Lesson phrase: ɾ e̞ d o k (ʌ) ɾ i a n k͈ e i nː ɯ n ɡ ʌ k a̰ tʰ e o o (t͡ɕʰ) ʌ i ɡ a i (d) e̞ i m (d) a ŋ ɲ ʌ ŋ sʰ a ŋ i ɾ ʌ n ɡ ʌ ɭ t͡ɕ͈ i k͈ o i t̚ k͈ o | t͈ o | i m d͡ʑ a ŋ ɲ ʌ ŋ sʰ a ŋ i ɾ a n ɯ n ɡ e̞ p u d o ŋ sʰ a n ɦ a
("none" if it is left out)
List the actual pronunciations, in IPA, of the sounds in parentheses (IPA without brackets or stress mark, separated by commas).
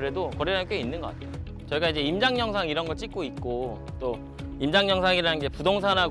ʌ, t͡ɕ, d͡ʑ, d͡ʑ